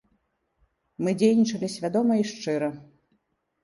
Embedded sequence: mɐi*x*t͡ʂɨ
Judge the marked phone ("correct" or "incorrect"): incorrect